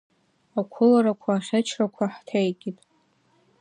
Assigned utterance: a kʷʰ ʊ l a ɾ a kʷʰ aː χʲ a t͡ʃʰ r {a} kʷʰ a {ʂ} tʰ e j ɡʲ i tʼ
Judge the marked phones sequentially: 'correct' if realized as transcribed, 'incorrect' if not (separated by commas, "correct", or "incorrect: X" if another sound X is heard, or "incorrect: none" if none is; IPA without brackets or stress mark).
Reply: correct, incorrect: ħ